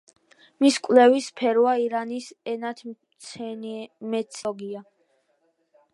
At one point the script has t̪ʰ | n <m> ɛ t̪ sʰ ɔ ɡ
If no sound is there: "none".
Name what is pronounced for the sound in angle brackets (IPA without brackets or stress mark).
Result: m